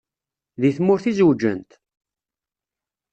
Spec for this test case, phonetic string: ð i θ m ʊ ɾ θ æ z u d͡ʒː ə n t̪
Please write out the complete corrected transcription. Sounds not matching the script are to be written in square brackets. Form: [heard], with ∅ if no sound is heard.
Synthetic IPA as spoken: ð i θ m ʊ ɾ θ [i] z [w] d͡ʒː ə n t̪